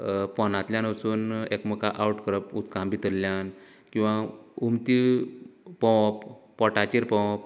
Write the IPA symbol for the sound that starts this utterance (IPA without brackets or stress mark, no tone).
p